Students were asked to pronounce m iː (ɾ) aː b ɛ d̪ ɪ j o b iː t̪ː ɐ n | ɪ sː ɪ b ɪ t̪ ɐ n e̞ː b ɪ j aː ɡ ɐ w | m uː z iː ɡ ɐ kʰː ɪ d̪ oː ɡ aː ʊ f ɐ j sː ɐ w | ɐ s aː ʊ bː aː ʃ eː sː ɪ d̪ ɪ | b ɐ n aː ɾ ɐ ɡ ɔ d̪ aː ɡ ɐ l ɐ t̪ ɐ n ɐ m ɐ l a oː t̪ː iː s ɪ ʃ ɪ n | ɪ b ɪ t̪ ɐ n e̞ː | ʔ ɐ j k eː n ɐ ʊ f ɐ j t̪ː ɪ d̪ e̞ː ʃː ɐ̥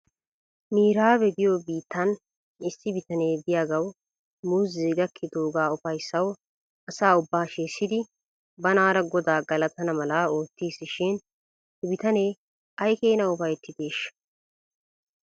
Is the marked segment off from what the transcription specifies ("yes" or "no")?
no